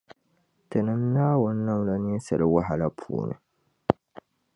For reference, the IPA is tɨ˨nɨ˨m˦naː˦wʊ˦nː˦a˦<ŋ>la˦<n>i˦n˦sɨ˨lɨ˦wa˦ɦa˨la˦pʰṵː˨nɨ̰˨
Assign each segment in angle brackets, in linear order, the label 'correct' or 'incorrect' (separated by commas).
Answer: incorrect, correct